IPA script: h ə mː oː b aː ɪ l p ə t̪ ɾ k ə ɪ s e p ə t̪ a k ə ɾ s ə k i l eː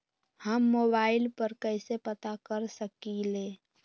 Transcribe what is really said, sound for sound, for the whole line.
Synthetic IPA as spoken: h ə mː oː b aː ɪ l p ə ɾ k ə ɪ s e p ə t̪ a k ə ɾ s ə k i l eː